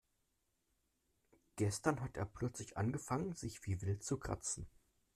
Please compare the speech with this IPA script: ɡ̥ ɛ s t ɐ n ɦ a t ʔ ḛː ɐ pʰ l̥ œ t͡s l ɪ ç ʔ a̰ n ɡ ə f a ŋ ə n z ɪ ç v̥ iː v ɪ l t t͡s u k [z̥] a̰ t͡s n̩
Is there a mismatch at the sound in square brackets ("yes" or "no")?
yes